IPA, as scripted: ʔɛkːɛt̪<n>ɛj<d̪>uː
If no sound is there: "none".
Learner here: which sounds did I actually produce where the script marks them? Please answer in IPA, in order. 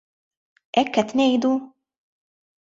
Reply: n, d̪

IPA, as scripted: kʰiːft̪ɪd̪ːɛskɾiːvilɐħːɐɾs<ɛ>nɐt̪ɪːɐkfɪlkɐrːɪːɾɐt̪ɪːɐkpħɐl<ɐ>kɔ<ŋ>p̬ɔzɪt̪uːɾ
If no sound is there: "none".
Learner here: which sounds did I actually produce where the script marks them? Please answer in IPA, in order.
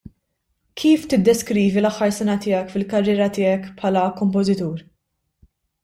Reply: ɛ, ɐ, m

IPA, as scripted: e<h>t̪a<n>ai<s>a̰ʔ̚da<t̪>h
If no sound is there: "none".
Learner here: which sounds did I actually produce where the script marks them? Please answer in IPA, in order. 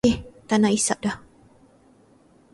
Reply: h, n, s, none

